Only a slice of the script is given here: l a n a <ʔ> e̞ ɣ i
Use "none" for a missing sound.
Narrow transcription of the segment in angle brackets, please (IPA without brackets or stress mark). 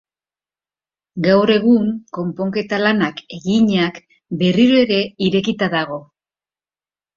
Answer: k